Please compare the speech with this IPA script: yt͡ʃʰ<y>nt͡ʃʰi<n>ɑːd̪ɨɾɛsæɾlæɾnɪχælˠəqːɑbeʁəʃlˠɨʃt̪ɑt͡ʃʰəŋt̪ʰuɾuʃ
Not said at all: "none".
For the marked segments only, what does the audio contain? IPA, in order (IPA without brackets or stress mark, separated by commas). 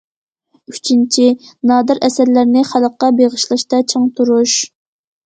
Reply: i, n